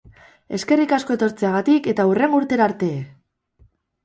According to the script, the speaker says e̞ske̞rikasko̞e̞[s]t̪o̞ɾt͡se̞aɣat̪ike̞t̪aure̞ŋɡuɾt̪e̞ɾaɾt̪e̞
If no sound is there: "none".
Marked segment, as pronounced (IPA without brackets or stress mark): none